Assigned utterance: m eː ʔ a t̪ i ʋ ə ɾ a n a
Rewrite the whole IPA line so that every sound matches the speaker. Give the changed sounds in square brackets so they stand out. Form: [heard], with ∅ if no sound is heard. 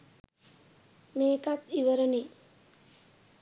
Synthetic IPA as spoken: m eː [k] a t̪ i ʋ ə ɾ [ə] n [i]